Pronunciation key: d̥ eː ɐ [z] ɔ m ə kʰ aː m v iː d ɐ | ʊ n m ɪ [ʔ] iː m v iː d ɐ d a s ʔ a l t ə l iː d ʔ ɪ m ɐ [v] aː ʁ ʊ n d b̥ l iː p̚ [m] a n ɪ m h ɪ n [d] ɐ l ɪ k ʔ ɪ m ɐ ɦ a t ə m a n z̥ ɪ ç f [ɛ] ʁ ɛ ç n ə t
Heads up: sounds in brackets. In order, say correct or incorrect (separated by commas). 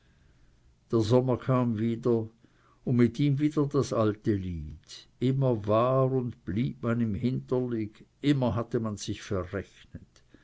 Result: correct, incorrect, correct, correct, incorrect, correct